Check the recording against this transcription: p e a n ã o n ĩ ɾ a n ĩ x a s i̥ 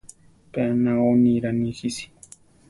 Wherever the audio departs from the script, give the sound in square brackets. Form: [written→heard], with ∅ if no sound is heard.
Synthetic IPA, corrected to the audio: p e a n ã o n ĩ ɾ a n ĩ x [a→i] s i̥